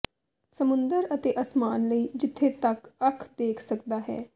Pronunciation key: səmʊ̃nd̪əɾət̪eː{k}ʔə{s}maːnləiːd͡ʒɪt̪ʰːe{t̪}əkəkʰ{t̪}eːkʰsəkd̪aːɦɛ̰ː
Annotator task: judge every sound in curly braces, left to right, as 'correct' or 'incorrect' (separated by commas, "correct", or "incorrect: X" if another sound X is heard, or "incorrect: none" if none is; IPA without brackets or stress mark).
incorrect: none, correct, correct, incorrect: d̪